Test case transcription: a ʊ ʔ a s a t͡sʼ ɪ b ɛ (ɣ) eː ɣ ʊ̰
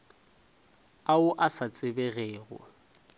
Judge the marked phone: correct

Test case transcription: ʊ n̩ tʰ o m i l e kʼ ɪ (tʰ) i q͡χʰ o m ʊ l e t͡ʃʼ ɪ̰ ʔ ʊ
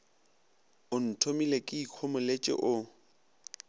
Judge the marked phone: incorrect: none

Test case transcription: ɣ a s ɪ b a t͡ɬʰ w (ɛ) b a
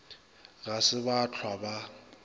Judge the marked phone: incorrect: a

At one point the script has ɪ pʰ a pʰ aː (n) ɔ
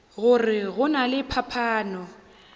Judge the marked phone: correct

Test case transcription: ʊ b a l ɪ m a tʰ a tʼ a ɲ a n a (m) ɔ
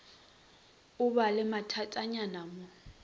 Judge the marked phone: correct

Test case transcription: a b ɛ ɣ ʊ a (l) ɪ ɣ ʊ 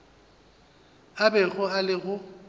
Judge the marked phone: correct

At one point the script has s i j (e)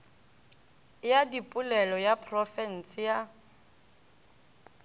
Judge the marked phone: incorrect: a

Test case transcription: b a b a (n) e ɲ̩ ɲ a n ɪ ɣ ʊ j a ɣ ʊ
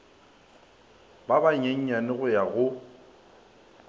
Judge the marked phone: incorrect: ɲ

